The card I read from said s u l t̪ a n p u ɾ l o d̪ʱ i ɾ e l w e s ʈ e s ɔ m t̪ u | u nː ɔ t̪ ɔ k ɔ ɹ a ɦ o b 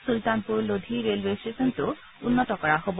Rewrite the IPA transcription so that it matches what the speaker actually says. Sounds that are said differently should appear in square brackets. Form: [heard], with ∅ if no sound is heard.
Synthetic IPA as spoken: s u l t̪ a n p u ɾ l o d̪ʱ i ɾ e l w e s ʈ e s ɔ [n] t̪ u | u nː ɔ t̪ ɔ k ɔ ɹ a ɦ o b